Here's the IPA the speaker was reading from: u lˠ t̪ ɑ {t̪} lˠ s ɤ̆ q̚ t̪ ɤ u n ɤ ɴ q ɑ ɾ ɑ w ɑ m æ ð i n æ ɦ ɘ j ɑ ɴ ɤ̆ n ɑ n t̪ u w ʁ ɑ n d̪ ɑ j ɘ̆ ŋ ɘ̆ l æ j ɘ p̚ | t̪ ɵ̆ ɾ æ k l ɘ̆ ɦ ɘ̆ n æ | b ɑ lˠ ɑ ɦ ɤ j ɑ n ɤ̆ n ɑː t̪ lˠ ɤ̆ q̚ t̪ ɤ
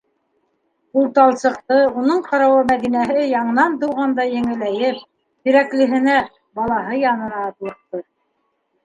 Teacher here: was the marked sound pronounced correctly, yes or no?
no